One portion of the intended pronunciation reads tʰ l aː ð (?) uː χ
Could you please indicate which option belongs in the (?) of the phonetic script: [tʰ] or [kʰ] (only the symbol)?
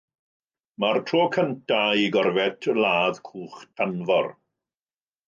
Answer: kʰ